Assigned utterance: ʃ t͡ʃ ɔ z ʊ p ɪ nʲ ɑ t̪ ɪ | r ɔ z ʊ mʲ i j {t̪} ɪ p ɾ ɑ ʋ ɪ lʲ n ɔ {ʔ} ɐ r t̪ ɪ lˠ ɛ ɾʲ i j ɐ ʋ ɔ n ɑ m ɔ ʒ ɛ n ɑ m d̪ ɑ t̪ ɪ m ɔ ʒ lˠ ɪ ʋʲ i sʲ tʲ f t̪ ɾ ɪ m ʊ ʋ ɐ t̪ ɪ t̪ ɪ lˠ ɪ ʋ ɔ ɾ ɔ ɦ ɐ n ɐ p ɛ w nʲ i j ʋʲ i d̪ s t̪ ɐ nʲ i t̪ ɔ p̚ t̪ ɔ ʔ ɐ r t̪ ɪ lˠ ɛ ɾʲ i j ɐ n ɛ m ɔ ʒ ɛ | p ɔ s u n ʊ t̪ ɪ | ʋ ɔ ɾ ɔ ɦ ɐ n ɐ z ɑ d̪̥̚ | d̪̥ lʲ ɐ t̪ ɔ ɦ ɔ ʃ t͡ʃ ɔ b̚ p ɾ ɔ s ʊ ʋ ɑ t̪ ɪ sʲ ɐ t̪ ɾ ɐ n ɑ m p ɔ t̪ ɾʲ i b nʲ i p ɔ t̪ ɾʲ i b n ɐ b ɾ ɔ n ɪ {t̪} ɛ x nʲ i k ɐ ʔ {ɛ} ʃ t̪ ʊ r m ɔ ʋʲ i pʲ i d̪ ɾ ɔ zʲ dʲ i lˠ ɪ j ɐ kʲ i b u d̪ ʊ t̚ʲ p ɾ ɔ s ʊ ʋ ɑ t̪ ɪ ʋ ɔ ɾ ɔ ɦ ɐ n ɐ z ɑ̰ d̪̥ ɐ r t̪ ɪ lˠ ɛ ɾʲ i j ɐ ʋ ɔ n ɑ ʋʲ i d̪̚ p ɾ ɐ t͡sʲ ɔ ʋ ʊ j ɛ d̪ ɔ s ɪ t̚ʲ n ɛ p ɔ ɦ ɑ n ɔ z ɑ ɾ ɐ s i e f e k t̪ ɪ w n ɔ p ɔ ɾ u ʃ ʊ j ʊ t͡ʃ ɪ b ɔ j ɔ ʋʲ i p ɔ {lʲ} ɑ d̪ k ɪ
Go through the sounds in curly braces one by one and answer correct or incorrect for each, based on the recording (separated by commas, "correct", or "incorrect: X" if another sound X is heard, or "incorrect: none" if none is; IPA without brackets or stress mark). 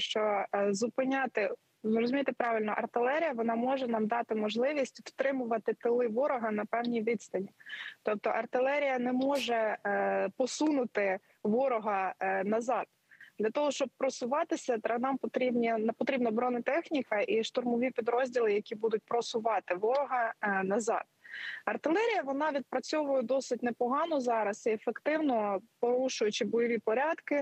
correct, correct, correct, incorrect: i, incorrect: ɾʲ